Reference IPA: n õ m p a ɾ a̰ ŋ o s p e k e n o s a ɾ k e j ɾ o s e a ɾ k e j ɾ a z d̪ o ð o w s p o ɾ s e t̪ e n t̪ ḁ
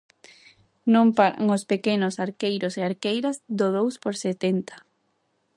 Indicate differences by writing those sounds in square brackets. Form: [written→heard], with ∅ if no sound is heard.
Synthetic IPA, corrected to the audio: n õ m p a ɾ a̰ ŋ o s p e k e n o s a ɾ k e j ɾ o s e a ɾ k e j ɾ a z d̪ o ð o w s p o ɾ s e t̪ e n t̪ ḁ